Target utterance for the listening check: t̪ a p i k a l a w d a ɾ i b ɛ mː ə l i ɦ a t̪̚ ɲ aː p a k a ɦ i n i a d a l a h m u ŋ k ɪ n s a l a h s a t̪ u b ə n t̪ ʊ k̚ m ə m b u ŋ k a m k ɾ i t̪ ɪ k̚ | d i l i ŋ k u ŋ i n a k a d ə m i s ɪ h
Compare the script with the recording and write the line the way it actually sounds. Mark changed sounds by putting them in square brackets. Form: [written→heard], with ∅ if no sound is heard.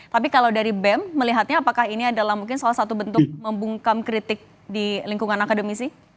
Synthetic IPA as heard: t̪ a p i k a l a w d a ɾ i b ɛ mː ə l i ɦ a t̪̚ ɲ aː p a k a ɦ i n i a d a l a h m u ŋ k ɪ n s a l a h s a t̪ u b ə n t̪ ʊ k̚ m ə m b u ŋ k a m k ɾ i t̪ ɪ k̚ | d i l i ŋ k u ŋ [i→a] n a k a d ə m i s ɪ h